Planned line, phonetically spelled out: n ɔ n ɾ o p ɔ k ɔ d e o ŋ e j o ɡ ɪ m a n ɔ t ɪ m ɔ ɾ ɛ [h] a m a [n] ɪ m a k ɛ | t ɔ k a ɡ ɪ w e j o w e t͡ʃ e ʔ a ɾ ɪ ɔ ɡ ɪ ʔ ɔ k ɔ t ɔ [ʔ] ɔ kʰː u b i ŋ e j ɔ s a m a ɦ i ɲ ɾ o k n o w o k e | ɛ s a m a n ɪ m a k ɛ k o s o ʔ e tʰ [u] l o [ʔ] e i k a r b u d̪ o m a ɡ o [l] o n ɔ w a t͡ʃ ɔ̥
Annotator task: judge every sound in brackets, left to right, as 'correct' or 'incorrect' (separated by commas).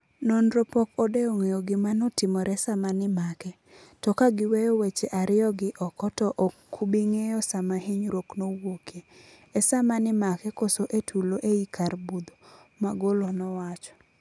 incorrect, correct, correct, correct, correct, correct